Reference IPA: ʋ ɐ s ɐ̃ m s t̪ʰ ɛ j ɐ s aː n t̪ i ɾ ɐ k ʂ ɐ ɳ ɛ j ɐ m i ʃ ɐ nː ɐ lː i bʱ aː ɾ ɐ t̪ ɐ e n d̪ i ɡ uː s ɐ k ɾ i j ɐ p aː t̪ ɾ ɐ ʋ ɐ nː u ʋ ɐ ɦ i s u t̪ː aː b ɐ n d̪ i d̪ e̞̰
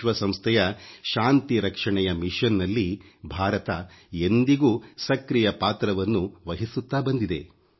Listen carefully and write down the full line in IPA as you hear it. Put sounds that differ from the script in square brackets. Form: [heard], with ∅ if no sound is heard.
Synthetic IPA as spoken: ʋ ɐ s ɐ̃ m s t̪ʰ ɛ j ɐ [ʃ] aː n t̪ i ɾ ɐ k ʂ ɐ ɳ ɛ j ɐ m i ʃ ɐ nː ɐ lː i bʱ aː ɾ ɐ t̪ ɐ e n d̪ i ɡ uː s ɐ k ɾ i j ɐ p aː t̪ ɾ ɐ ʋ ɐ nː u ʋ ɐ ɦ i s u t̪ː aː b ɐ n d̪ i d̪ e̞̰

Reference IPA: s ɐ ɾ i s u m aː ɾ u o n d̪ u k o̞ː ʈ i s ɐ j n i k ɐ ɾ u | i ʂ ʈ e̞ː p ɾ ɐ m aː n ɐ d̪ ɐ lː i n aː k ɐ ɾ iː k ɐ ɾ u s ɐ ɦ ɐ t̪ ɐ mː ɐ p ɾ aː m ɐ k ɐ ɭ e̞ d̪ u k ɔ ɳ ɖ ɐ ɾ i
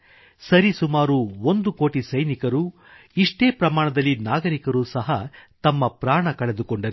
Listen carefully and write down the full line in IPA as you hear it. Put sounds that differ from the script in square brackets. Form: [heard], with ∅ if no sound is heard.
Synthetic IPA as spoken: s ɐ ɾ i s u m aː ɾ u o n d̪ u k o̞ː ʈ i s ɐ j n i k ɐ ɾ u | i ʂ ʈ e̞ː p ɾ ɐ m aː [ɳ] ɐ d̪ ɐ lː i n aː [ɡ] ɐ ɾ [i] k ɐ ɾ u s ɐ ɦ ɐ t̪ ɐ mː ɐ p ɾ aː [ɳ] ɐ k ɐ ɭ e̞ d̪ u k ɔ ɳ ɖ ɐ ɾ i

